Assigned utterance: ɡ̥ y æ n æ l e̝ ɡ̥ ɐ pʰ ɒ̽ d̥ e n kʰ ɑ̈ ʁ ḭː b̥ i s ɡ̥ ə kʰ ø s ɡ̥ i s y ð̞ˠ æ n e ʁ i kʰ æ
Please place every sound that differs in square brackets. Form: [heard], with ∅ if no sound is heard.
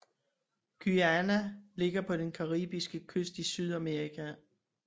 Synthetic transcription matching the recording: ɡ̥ y æ n æ l e̝ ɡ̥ ɐ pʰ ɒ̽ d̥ e n kʰ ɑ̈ ʁ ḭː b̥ i s ɡ̥ ə kʰ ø s [d̥] i s y ð̞ˠ æ [m] e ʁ i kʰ æ